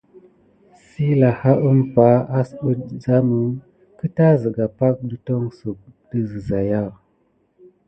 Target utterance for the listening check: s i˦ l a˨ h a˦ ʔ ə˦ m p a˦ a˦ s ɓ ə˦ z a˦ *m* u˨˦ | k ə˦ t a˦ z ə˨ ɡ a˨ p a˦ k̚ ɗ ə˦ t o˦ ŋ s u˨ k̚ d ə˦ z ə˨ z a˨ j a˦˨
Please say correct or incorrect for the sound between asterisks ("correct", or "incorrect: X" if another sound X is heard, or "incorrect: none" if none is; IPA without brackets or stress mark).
correct